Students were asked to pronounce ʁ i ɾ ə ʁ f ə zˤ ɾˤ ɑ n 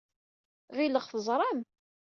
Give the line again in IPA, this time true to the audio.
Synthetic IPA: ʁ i l ə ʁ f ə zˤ ɾˤ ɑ m